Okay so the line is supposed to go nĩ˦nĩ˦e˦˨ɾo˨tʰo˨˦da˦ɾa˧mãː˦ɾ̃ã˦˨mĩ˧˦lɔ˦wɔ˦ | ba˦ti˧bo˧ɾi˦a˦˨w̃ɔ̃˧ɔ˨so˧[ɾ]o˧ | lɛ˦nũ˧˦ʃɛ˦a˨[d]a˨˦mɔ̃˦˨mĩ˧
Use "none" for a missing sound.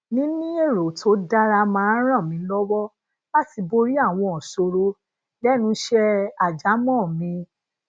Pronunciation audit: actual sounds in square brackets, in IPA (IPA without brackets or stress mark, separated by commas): ɾ, d͡ʒ